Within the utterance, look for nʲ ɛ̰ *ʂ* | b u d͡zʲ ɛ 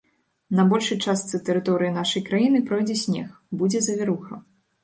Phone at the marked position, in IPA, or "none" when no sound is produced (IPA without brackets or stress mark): x